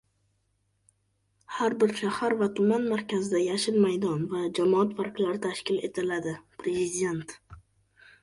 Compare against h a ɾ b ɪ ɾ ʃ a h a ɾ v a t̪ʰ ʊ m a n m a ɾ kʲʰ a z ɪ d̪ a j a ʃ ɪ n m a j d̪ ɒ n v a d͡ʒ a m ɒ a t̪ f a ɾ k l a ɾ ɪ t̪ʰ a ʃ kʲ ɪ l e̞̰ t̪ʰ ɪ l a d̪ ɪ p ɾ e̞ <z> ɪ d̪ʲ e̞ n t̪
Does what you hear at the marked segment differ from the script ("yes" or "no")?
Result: no